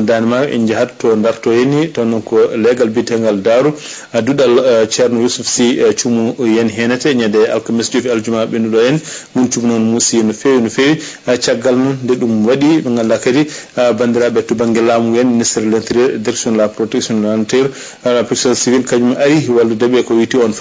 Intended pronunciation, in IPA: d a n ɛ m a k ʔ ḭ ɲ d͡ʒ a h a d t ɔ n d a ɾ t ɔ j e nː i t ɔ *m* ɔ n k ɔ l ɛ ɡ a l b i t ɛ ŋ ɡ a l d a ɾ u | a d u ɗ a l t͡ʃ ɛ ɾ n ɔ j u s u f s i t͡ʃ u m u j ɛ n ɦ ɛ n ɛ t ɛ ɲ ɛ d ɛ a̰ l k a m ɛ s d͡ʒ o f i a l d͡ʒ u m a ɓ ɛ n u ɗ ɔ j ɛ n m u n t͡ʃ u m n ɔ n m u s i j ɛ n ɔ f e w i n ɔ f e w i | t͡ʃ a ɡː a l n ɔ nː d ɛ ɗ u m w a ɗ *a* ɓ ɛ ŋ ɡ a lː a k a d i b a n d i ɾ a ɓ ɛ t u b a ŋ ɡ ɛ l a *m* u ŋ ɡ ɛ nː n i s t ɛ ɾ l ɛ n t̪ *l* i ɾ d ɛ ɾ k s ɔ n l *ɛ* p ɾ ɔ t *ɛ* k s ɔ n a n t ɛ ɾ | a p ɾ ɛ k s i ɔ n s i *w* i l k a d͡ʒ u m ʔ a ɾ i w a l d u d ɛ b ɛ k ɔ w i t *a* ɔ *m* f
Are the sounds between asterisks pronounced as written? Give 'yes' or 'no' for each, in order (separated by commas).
no, no, yes, no, no, yes, no, no, no